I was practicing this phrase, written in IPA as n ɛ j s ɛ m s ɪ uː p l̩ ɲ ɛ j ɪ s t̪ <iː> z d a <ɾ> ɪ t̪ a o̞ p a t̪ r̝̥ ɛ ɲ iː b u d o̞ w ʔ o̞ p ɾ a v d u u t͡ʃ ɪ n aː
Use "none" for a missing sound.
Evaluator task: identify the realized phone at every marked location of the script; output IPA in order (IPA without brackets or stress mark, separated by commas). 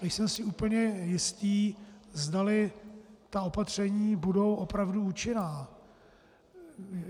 iː, l